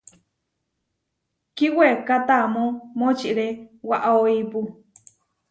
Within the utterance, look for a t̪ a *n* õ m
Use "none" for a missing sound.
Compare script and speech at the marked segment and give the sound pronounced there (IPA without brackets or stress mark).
m